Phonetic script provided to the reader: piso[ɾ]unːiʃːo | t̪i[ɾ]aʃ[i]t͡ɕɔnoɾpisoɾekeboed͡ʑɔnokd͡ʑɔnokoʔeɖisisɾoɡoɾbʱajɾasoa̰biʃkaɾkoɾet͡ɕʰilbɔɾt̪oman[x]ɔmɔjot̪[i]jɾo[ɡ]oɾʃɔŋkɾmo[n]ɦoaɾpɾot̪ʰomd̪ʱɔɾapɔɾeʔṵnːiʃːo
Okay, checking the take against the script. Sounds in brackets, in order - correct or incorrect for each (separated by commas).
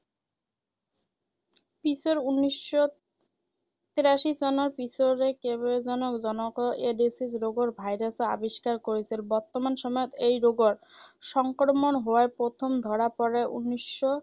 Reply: correct, correct, correct, incorrect, incorrect, correct, correct